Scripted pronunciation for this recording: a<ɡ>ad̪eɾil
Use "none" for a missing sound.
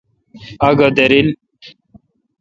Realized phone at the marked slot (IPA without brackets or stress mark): ɡ